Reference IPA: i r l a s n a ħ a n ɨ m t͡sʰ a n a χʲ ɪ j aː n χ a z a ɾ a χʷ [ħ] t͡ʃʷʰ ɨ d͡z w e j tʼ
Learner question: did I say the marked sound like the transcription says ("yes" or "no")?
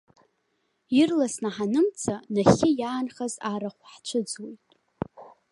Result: yes